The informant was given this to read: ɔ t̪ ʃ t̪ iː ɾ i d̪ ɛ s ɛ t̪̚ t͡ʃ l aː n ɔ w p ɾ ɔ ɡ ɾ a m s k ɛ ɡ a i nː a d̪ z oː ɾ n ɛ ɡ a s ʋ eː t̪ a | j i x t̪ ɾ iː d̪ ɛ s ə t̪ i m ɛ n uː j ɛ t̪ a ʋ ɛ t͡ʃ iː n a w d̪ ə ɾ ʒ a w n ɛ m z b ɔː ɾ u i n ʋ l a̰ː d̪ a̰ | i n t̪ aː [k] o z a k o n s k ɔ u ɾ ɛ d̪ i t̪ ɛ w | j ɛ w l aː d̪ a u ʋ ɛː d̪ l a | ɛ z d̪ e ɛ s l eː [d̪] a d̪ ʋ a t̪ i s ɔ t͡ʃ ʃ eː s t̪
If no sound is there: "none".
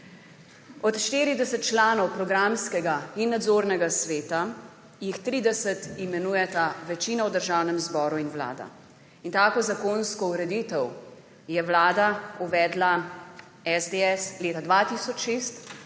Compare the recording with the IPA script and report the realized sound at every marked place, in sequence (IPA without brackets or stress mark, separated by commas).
k, t̪